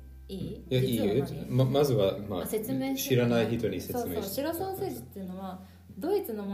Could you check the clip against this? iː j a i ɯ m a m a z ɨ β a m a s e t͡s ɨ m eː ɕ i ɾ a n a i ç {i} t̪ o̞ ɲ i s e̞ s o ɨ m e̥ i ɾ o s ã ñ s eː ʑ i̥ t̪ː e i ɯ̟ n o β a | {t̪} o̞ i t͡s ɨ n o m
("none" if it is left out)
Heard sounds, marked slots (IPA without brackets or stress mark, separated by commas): i, d̪